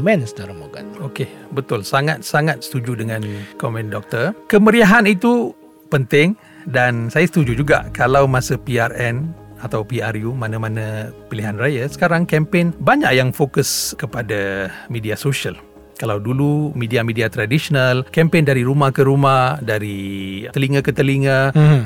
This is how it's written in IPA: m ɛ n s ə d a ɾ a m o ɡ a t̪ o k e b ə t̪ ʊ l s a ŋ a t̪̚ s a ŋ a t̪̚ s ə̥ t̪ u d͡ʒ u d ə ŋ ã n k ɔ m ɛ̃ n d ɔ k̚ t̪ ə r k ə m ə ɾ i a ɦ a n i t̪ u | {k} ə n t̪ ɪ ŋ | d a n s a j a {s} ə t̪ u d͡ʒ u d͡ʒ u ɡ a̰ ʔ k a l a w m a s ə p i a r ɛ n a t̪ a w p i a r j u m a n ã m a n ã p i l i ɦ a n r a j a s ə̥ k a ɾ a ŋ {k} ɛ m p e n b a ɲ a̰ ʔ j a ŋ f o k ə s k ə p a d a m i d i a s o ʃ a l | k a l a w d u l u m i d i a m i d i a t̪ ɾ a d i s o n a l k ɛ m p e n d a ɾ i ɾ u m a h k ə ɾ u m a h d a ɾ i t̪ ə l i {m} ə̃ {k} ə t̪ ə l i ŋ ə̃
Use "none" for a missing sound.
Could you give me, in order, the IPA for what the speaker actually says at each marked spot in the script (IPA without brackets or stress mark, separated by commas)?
p, s, k, ŋ, k